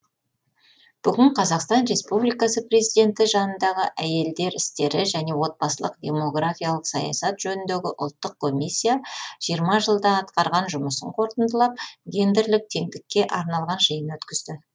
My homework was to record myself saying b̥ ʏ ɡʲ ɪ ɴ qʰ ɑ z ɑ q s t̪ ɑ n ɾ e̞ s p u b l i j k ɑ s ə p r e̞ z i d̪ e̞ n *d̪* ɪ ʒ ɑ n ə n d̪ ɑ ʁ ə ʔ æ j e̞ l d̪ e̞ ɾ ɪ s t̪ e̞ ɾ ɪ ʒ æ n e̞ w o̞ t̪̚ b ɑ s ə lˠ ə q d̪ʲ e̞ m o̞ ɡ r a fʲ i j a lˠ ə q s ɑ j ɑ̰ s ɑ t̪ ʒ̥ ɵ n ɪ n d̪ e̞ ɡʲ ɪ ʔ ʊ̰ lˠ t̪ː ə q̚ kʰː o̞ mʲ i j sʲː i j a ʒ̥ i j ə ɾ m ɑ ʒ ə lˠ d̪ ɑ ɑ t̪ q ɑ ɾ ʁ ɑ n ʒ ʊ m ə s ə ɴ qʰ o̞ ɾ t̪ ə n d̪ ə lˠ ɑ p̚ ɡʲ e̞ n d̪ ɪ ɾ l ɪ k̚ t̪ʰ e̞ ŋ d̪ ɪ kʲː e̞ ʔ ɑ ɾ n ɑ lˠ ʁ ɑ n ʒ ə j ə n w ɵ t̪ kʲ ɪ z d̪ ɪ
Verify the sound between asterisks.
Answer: incorrect: t̪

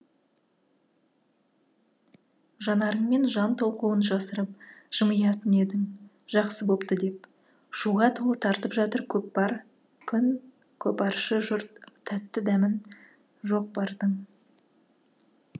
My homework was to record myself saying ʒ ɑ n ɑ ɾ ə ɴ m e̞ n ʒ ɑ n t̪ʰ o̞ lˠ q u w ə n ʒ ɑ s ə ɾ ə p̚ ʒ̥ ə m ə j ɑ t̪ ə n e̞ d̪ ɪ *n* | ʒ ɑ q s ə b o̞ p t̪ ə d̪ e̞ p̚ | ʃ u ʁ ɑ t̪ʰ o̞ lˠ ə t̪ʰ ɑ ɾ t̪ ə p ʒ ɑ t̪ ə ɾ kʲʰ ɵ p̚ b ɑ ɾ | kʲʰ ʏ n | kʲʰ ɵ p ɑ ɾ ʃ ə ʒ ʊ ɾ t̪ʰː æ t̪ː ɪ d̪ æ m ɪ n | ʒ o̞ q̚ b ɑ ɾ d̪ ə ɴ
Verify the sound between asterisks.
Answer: incorrect: ŋ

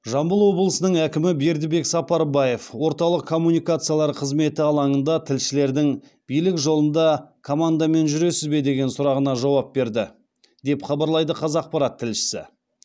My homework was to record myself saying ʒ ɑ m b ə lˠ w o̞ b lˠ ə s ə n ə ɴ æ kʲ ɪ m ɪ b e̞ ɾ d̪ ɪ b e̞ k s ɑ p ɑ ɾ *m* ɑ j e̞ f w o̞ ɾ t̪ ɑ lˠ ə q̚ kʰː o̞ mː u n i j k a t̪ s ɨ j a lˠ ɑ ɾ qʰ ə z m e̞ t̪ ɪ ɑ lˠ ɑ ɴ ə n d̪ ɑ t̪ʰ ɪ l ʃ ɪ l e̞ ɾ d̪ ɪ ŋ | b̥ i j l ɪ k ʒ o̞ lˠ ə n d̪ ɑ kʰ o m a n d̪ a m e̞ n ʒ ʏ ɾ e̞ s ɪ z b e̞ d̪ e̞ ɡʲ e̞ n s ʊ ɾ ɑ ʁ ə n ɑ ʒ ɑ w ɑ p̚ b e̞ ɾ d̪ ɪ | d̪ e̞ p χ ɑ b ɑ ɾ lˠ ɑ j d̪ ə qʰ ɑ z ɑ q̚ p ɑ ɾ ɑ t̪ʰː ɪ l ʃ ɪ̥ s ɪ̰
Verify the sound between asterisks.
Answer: incorrect: b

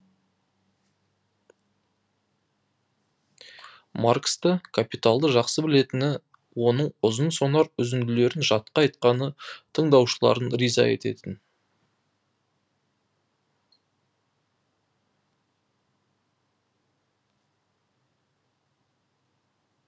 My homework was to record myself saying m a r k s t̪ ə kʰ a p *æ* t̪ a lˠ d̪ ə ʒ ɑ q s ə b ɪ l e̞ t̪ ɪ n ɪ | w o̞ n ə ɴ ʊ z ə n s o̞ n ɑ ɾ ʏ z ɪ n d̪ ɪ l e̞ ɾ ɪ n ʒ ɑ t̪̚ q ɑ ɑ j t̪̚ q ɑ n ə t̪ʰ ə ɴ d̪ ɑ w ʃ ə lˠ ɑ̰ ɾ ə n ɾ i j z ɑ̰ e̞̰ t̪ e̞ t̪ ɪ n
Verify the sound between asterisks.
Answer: incorrect: i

